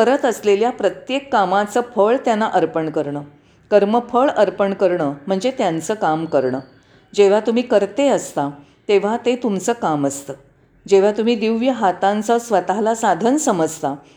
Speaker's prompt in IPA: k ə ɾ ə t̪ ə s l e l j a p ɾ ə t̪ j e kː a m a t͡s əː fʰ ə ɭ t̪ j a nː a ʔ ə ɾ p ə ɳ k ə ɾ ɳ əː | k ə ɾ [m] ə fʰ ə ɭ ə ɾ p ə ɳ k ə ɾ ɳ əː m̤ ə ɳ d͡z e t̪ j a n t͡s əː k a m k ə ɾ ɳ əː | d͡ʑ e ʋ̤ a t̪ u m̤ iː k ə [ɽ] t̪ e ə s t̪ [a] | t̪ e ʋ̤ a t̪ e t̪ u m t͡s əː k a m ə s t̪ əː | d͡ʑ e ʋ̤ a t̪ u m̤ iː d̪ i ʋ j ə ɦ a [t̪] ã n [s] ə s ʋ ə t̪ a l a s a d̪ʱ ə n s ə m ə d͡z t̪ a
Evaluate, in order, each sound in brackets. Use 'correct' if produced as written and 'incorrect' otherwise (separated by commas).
correct, incorrect, correct, correct, incorrect